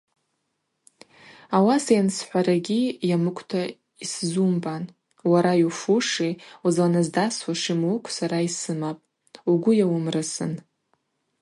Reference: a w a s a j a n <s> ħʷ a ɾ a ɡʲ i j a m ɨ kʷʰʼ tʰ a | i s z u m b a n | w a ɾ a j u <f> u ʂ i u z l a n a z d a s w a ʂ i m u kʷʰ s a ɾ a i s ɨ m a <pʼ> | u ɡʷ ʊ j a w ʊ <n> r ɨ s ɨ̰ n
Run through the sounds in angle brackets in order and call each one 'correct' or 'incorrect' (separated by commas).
correct, correct, correct, incorrect